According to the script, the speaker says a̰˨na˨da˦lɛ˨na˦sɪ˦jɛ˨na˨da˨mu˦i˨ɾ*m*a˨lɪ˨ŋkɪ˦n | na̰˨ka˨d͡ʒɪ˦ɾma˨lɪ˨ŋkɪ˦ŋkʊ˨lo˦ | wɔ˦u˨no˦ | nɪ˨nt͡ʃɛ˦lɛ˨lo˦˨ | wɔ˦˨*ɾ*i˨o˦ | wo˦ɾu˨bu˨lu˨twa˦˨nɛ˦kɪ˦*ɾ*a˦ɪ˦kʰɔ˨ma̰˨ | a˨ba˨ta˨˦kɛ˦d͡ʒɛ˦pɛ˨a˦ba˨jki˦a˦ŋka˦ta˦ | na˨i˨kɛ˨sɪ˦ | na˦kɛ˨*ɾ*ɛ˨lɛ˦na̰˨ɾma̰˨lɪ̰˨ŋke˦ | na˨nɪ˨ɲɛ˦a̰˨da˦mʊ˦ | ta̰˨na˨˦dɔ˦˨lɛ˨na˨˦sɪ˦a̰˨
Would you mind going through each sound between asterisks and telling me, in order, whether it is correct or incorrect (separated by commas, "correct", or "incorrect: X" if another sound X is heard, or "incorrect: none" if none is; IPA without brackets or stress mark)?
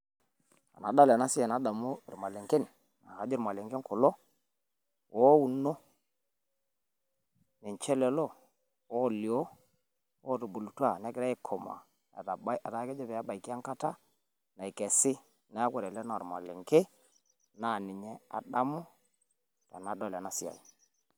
correct, incorrect: l, correct, correct